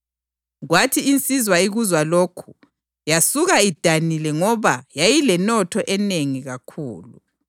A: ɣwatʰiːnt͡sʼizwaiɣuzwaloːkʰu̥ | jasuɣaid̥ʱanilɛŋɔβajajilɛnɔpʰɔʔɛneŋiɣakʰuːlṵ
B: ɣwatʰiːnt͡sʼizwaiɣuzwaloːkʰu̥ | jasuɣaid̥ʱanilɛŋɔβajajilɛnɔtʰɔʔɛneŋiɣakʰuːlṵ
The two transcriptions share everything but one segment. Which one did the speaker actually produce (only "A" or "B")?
B